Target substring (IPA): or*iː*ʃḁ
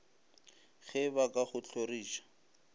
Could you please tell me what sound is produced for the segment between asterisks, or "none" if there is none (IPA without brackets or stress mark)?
iː